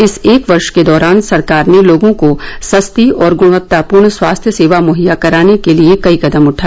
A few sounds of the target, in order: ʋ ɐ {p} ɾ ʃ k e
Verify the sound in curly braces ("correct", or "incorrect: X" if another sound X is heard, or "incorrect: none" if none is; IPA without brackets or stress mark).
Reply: incorrect: none